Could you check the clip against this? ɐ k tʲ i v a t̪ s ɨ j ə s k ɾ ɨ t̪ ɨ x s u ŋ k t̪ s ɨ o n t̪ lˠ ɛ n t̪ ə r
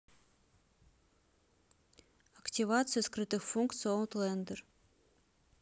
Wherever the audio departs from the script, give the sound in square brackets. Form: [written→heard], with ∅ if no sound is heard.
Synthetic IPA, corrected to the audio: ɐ k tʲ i v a t̪ s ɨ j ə s k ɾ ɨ t̪ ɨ x [s→f] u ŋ k t̪ s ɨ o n t̪ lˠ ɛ n [t̪→d̪] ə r